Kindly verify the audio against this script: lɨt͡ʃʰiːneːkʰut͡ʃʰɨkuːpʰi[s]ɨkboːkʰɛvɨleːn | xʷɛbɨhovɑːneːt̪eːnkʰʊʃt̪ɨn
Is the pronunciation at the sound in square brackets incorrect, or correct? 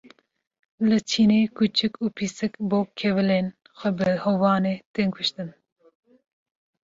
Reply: correct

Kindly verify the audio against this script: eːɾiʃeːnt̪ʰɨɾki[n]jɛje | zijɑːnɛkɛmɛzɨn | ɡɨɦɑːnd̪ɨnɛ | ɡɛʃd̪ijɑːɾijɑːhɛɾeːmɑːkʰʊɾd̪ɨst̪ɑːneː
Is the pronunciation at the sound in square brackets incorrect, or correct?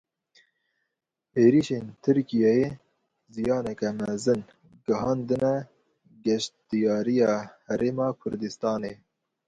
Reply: incorrect: none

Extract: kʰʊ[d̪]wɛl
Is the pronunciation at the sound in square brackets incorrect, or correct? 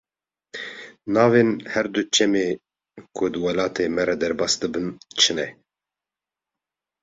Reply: correct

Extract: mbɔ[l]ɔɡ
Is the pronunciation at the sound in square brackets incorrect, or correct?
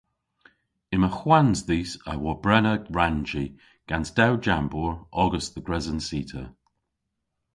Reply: incorrect: ɹ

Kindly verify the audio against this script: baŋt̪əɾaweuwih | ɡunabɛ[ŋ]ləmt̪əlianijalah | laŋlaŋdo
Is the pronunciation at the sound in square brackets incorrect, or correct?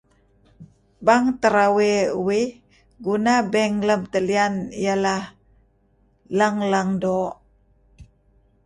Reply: correct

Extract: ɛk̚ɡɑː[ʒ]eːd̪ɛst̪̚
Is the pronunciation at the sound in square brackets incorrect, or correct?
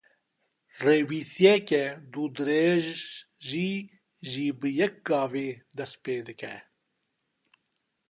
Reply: incorrect: v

